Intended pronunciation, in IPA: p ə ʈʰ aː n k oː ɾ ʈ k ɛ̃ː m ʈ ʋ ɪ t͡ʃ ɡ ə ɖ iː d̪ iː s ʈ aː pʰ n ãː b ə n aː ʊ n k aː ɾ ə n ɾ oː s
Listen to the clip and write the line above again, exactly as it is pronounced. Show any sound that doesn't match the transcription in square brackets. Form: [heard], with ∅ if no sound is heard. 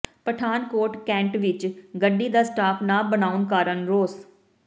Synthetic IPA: p ə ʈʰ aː n k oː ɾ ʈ k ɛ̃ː [ɳ] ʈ ʋ ɪ t͡ʃ ɡ ə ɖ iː d̪ [aː] s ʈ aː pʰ n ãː b ə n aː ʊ n k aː ɾ ə n ɾ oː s